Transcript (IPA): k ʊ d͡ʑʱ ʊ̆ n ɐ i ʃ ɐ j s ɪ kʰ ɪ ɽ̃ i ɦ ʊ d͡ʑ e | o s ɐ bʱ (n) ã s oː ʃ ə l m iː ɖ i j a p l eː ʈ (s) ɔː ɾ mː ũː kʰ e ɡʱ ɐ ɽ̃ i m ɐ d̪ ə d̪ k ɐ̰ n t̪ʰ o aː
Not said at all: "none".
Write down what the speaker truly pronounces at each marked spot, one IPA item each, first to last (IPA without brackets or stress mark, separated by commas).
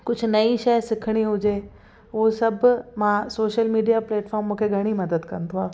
m, f